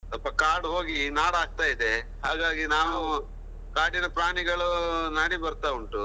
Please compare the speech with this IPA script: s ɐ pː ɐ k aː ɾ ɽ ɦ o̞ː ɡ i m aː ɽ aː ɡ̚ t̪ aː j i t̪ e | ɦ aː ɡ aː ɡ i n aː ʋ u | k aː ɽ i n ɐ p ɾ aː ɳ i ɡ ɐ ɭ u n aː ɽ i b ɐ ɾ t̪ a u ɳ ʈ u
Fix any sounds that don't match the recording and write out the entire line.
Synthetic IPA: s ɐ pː ɐ k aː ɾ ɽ ɦ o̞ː ɡ i n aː ɽ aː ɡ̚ t̪ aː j i d̪ e | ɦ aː ɡ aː ɡ i n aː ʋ u | k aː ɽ i n ɐ p ɾ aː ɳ i ɡ ɐ ɭ u n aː ɽ i b ɐ ɾ t̪ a u ɳ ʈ u